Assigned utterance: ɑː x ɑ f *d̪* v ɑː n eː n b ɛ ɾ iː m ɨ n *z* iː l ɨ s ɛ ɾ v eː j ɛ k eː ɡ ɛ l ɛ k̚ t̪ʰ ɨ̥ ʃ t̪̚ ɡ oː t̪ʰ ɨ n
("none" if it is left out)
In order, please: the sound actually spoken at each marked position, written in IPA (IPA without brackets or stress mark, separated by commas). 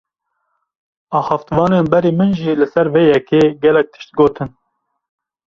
t̪, ʒ